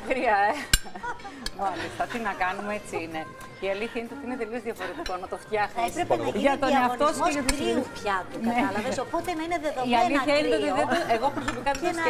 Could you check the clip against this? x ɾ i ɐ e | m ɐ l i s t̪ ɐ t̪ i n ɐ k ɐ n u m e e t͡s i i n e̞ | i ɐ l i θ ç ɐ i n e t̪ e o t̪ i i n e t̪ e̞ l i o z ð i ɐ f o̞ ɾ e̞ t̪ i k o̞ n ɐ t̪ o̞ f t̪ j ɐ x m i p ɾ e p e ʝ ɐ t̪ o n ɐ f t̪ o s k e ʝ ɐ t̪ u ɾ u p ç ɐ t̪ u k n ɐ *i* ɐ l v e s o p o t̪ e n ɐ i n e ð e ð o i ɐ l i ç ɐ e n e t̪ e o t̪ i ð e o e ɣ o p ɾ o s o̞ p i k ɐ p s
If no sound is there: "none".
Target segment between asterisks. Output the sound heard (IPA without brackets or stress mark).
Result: e